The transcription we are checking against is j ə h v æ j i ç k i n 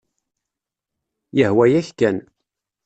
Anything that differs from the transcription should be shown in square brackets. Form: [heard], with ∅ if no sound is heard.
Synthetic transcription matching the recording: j ə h [w] æ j [æ] ç k [æ] n